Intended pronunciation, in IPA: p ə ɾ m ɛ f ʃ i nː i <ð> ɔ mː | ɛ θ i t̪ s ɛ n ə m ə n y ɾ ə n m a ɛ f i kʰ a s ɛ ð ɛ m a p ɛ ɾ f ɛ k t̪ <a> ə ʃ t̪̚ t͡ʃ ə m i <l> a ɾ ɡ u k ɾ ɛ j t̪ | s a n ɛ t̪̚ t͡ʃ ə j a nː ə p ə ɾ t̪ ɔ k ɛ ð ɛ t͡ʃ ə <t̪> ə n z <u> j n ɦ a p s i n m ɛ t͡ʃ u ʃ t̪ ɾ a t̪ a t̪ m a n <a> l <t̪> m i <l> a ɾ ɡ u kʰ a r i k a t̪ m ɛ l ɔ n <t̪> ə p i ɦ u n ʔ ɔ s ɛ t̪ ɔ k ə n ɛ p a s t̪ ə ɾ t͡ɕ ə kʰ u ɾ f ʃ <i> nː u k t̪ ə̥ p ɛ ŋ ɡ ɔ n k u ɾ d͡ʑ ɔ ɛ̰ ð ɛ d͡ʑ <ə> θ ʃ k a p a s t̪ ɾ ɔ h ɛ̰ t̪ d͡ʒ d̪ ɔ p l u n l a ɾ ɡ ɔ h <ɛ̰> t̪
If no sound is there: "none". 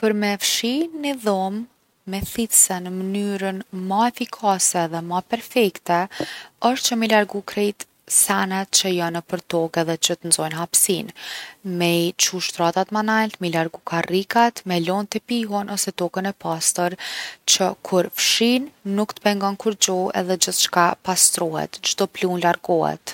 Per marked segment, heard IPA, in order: ð, ɛ, l, t̪, ɔ, a, t̪, l, t̪, i, ə, ɛ̰

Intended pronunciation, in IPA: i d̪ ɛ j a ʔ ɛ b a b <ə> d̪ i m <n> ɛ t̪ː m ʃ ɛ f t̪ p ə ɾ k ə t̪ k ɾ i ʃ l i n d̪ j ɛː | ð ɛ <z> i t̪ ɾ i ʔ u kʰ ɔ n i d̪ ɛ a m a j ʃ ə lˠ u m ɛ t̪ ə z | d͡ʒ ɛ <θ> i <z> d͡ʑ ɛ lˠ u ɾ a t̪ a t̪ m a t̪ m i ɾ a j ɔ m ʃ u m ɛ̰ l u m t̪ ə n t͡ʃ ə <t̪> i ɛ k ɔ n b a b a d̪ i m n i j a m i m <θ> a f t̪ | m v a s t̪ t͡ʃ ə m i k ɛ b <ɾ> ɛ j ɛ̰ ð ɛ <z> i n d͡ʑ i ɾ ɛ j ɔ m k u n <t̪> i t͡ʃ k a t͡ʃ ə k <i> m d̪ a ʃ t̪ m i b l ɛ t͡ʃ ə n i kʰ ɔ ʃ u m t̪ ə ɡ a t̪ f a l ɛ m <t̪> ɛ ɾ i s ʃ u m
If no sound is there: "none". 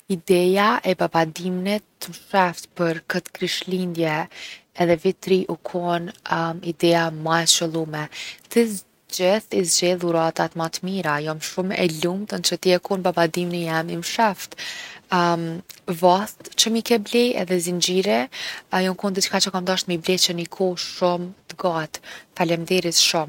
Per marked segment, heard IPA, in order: a, n, v, θ, z, t̪, ʃ, l, z, d̪, a, d̪

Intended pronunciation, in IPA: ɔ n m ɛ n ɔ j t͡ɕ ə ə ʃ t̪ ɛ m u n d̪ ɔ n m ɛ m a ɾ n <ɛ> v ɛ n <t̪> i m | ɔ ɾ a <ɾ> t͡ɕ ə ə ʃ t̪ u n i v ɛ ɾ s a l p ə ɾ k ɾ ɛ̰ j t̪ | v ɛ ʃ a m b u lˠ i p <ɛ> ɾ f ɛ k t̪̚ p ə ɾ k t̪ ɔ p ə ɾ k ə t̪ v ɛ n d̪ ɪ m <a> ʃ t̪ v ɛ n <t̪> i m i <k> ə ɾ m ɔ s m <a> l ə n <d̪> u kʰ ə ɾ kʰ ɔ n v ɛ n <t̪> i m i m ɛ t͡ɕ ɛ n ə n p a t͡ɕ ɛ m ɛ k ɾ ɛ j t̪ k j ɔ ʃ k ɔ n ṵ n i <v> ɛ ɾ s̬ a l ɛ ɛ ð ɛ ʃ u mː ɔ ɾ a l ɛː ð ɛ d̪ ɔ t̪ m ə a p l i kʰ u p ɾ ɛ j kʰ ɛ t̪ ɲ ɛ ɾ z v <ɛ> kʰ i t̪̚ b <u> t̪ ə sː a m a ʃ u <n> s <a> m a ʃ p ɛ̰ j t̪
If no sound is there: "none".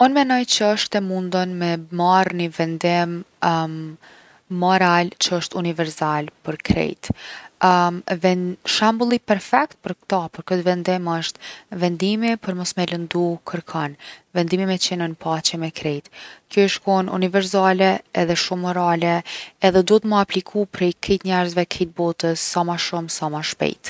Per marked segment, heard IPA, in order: i, d̪, l, ɛ, ə, d̪, p, ɛ, d̪, d̪, v, ɛ, ɔ, m, a

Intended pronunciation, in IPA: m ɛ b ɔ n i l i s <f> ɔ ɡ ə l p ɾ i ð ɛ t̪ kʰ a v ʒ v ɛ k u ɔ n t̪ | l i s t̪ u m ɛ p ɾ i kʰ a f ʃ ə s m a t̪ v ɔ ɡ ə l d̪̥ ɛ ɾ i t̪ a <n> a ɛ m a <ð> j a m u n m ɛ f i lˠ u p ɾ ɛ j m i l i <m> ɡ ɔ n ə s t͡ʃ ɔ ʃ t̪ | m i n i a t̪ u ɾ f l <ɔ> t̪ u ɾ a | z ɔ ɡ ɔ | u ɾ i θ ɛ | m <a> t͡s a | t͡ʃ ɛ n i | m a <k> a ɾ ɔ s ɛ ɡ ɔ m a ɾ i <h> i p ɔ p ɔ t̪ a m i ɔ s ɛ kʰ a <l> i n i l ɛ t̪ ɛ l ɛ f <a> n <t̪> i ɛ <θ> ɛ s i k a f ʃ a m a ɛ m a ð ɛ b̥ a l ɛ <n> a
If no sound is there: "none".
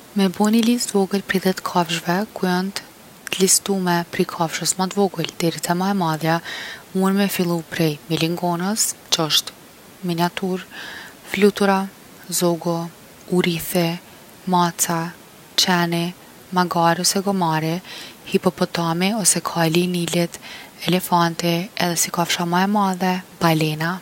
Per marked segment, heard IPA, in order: v, m, ð, ŋ, u, a, ɡ, h, l, a, t̪, ð, n

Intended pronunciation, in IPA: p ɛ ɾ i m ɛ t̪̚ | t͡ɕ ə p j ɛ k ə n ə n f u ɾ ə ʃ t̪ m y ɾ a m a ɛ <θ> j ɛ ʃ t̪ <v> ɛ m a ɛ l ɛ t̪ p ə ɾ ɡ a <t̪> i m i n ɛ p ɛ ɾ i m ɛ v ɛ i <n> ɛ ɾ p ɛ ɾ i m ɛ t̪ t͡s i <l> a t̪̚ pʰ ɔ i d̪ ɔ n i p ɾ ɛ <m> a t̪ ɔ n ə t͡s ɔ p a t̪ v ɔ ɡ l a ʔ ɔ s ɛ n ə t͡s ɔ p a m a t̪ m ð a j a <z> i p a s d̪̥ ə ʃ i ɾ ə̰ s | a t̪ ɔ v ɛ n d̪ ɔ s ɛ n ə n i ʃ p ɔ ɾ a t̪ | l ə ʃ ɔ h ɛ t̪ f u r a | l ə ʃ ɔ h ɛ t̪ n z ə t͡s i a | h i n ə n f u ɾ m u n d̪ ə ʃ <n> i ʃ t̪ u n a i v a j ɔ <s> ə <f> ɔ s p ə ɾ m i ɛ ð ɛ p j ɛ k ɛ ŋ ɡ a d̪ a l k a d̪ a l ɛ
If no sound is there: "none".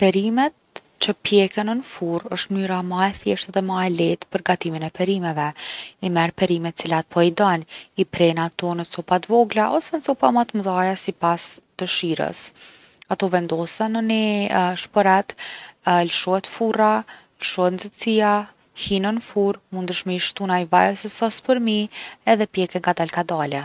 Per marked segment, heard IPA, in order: θ, ð, t̪, m, l, n, s, m, s, s

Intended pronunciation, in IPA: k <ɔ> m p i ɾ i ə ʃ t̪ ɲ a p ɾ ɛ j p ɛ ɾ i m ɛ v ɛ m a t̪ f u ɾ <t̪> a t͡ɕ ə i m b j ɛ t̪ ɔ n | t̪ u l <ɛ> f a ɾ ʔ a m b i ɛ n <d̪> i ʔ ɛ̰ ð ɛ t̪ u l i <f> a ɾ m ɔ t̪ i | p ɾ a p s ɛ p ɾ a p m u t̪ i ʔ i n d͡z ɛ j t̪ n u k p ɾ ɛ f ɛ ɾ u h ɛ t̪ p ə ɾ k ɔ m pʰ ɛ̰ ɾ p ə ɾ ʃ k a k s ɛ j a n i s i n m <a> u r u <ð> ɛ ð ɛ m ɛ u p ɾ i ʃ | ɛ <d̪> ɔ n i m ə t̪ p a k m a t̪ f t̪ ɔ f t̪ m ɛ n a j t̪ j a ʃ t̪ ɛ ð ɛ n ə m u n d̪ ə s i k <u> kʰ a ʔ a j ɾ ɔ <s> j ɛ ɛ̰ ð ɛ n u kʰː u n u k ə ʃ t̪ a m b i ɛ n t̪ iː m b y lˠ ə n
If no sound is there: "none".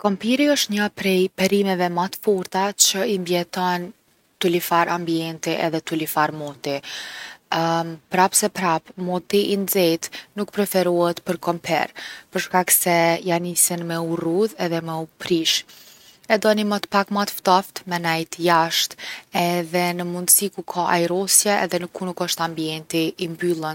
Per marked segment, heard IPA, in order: ɔ, t̪, i, t̪, f, ɛ, ð, d̪, u, s

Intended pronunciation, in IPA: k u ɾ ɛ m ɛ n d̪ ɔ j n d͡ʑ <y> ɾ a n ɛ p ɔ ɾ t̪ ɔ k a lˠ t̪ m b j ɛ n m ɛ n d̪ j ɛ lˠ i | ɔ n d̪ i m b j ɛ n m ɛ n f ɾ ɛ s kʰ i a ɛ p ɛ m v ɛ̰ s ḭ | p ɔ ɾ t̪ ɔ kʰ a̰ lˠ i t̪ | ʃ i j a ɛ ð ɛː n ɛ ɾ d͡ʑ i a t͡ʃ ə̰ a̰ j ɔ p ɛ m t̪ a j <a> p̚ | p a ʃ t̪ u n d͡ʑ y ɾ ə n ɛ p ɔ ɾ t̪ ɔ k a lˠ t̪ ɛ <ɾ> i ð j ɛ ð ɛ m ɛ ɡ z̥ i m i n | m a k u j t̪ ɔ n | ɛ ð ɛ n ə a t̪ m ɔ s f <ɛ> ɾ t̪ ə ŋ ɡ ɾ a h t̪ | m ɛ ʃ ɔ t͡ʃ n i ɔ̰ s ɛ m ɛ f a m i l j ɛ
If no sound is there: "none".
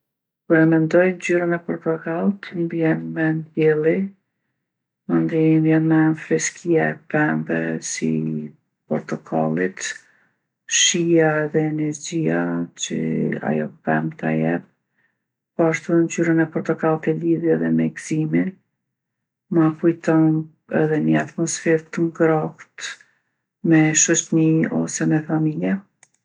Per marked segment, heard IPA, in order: y, ɛ, l, ɛ

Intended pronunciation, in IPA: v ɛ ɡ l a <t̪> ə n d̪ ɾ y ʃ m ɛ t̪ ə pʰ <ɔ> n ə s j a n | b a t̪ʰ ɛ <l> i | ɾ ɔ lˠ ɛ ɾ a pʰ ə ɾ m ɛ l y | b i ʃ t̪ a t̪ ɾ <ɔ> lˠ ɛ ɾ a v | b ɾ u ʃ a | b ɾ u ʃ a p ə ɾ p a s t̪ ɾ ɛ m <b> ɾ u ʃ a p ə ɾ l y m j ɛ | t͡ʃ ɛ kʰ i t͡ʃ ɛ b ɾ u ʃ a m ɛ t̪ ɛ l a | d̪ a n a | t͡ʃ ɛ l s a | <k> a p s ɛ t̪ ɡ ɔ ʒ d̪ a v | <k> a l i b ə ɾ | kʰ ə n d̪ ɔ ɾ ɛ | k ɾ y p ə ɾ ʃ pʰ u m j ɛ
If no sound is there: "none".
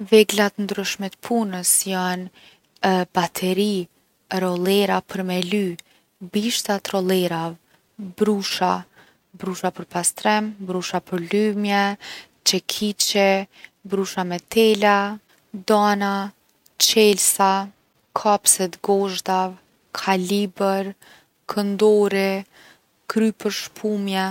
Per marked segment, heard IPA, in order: t̪, u, ɾ, ɔ, b, kʰ, kʰ

